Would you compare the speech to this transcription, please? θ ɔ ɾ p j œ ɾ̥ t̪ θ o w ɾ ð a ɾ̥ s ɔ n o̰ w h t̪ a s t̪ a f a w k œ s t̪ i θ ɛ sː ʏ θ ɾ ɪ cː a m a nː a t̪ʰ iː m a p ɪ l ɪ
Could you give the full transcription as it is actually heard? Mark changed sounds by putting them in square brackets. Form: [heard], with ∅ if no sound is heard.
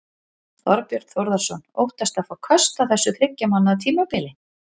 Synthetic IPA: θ ɔ ɾ p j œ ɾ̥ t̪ θ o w ɾ ð a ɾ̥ s ɔ n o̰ w h t̪ a s t̪ a f a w [kʰ] œ s t̪ [a] θ ɛ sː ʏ θ ɾ ɪ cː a m a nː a t̪ʰ iː m a p ɪ l ɪ